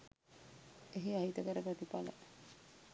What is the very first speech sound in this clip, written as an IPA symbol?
e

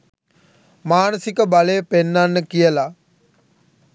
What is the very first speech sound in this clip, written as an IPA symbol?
m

